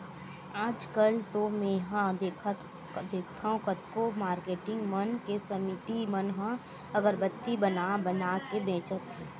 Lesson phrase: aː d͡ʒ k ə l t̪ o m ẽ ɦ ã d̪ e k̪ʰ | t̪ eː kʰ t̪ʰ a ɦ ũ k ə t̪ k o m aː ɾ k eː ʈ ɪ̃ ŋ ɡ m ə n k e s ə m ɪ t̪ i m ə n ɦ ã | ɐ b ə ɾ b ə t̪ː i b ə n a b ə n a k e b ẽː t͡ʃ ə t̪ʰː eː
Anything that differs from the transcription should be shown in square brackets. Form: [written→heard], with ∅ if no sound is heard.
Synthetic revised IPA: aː d͡ʒ k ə l t̪ o m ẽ ɦ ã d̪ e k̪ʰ | [t̪→d̪] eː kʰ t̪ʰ a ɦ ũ k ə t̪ k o m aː ɾ k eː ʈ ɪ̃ ŋ ɡ m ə n k e s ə m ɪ t̪ i m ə n ɦ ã | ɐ [b→ɡ] ə ɾ b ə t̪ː i b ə n a b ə n a k e b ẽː t͡ʃ ə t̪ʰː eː